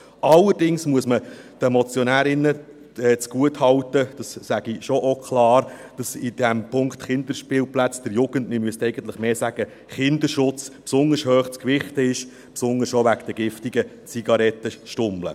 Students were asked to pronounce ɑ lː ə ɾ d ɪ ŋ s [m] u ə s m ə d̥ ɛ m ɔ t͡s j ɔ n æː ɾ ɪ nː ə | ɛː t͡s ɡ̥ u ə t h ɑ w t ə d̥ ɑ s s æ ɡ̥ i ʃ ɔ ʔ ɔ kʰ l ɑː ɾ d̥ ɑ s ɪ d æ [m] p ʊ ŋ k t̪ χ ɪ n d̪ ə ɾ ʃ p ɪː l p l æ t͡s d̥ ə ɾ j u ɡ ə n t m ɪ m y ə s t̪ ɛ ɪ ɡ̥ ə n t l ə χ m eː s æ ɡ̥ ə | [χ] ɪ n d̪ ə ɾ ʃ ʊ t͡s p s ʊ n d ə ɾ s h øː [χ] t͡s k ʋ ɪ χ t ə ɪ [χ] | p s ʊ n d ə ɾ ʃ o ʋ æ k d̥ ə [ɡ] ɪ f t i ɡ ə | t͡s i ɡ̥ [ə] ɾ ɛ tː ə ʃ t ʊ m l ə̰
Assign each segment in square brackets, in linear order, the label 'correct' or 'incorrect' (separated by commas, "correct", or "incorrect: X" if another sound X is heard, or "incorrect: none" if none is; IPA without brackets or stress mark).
correct, correct, correct, correct, incorrect: ʃ, correct, incorrect: ɑ